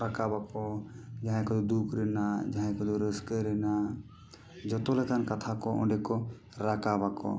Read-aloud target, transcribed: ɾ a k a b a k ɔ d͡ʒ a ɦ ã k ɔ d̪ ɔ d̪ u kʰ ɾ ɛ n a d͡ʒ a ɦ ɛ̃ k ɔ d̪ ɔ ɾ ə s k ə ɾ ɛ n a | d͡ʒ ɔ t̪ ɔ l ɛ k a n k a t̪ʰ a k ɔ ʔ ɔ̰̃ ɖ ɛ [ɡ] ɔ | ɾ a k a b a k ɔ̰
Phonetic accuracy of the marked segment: incorrect: k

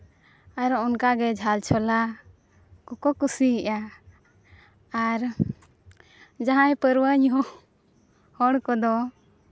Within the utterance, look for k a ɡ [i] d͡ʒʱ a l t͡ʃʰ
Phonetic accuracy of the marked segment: incorrect: ɛ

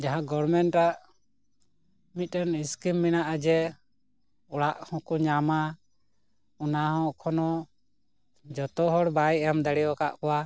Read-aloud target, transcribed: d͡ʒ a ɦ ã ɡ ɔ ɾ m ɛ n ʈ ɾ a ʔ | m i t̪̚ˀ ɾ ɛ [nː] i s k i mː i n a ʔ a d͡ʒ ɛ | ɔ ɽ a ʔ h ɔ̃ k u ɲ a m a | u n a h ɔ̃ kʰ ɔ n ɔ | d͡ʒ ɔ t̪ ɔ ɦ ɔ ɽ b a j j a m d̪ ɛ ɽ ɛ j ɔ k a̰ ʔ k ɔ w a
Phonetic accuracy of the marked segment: incorrect: n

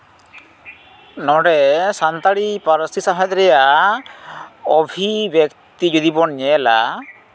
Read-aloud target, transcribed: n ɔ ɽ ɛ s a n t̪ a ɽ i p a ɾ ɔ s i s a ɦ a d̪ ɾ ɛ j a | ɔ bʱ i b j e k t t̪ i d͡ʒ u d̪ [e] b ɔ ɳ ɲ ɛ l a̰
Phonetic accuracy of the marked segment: incorrect: i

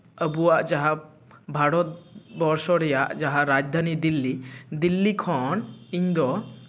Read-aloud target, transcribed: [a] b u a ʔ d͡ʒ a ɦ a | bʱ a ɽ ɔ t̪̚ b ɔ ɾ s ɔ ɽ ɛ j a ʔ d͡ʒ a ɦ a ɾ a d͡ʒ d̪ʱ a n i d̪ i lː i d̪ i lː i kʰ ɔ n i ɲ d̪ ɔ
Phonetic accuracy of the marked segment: incorrect: ə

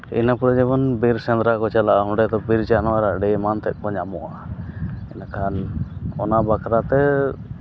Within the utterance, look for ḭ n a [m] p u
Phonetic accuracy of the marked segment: incorrect: none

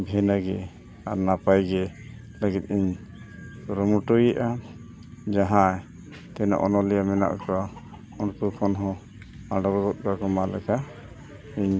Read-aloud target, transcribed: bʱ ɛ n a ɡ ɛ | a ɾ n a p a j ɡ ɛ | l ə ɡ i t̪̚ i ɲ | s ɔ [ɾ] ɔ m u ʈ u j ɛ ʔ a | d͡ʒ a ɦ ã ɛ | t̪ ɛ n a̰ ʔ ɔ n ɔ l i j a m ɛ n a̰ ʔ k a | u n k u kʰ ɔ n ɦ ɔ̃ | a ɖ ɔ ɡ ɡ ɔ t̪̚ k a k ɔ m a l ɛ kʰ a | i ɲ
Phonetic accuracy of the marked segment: correct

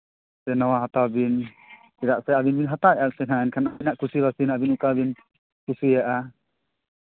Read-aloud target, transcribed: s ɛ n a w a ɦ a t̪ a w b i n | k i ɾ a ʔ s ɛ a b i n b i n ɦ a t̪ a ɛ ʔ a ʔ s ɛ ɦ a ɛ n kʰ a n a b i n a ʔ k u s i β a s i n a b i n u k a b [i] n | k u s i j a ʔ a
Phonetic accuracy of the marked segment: correct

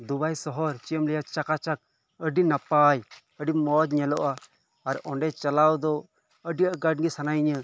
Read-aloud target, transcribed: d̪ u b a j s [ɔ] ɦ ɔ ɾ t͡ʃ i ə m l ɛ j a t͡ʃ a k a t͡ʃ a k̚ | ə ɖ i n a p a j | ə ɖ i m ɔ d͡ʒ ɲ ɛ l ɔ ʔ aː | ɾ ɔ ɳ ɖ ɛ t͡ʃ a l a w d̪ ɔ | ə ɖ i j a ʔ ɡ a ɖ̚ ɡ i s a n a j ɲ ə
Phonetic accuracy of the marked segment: correct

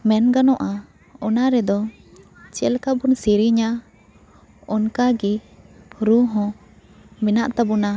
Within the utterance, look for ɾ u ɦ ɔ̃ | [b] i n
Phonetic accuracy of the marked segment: incorrect: m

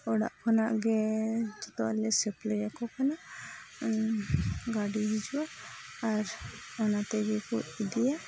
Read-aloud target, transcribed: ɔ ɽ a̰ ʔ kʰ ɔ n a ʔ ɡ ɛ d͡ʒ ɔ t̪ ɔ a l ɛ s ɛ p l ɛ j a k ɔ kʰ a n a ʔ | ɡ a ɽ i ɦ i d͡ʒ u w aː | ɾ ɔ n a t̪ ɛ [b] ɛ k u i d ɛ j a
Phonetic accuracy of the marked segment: incorrect: ɡ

